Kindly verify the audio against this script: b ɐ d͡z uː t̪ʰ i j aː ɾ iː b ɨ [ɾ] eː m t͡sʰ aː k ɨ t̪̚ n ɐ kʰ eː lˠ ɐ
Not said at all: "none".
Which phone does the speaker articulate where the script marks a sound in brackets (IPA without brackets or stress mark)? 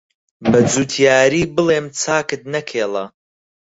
l